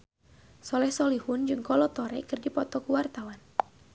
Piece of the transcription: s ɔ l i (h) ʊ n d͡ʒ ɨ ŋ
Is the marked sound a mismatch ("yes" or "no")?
no